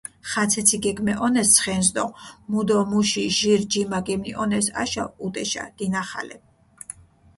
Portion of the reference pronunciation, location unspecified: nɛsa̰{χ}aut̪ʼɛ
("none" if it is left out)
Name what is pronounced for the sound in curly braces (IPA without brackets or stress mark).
ʃ